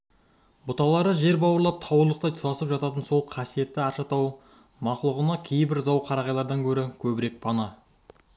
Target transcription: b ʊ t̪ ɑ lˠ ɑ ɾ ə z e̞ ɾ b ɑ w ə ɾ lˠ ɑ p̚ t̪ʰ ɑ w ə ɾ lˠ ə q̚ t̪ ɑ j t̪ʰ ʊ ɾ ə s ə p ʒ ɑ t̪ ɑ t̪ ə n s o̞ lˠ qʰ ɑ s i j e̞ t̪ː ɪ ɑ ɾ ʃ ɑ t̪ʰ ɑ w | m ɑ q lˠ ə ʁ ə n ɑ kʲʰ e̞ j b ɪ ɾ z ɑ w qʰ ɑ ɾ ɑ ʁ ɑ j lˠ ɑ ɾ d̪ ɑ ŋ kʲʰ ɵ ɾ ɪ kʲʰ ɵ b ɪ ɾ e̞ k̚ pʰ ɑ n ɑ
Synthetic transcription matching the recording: b ʊ t̪ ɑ lˠ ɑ ɾ ə ʒ e̞ ɾ b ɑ w ə ɾ lˠ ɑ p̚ t̪ʰ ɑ w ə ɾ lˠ ə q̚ t̪ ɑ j t̪ʰ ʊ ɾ ɑ s ə p ʒ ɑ t̪ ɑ t̪ ə n s o̞ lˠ qʰ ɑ s i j e̞ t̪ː ɪ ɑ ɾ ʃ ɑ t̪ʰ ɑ w | m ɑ q lˠ ə ʁ ə n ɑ kʲʰ e̞ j b ɪ ɾ z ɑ w qʰ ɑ ɾ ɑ ʁ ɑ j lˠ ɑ ɾ d̪ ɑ ŋ kʲʰ ɵ ɾ ɪ kʲʰ ɵ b ɪ ɾ e̞ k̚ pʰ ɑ n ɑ